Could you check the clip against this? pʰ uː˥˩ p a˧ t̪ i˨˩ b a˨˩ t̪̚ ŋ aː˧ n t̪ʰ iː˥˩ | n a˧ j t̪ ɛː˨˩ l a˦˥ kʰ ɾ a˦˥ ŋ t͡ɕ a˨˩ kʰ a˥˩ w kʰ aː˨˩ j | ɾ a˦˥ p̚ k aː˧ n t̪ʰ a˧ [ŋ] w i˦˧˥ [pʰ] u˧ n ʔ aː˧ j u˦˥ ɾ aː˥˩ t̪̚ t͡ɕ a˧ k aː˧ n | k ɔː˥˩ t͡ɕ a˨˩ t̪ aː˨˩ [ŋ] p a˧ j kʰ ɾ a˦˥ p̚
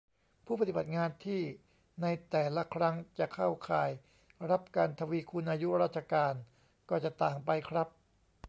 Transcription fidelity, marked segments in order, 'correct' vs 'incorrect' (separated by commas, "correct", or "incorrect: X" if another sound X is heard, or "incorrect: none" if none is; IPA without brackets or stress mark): incorrect: none, incorrect: kʰ, correct